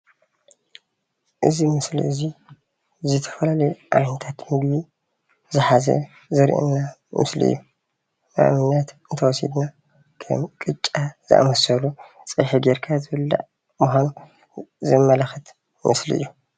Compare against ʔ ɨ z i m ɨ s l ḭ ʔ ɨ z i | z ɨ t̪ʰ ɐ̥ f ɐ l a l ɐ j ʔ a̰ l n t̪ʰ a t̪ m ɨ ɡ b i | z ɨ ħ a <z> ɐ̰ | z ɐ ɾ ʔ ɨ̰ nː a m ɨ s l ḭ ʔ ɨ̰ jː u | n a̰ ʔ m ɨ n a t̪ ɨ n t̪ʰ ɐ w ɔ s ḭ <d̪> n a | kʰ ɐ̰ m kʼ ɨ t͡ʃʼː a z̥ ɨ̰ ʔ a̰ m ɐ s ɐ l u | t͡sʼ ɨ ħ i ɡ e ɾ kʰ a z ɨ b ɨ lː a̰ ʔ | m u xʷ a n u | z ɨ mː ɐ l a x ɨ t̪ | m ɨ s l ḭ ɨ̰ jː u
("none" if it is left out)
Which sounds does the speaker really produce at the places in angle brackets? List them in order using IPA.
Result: z, d̪

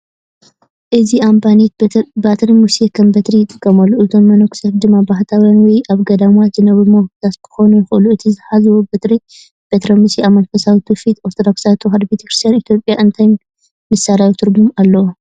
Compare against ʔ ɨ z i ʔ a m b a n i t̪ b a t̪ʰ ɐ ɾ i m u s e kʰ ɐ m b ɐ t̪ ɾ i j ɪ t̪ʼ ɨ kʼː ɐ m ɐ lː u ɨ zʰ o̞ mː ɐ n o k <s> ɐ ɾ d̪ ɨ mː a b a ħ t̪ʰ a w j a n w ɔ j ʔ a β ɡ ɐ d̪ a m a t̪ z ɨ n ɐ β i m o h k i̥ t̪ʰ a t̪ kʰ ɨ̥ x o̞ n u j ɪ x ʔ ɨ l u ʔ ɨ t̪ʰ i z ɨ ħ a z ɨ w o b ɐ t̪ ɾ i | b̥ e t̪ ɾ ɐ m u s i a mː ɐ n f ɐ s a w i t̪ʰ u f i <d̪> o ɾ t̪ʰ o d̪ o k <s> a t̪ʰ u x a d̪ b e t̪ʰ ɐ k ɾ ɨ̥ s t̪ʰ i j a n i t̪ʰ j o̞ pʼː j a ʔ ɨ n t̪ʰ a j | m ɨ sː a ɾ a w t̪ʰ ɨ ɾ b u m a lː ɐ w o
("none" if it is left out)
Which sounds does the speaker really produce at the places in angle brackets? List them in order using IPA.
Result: s, t̪, s

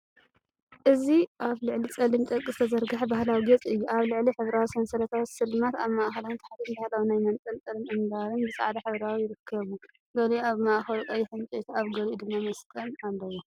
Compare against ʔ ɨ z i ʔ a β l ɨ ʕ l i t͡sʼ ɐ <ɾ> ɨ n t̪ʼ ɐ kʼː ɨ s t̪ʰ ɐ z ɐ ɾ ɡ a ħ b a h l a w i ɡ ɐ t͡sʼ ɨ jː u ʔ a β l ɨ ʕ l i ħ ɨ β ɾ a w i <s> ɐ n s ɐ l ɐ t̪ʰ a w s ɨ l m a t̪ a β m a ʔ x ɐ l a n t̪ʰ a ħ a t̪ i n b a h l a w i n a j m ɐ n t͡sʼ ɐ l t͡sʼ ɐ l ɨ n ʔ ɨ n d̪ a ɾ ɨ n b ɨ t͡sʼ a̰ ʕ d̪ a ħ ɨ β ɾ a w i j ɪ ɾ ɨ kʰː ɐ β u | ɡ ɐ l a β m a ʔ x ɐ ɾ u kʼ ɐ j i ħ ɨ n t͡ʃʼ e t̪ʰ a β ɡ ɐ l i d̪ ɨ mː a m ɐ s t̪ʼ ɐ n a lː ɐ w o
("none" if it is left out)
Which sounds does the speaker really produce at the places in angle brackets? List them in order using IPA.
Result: l, s

